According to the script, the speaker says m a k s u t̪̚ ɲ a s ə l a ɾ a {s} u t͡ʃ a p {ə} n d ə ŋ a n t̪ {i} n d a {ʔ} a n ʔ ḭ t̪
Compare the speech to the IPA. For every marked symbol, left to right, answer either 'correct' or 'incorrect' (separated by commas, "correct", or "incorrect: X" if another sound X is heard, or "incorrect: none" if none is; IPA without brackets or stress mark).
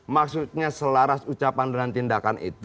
correct, incorrect: a, correct, incorrect: k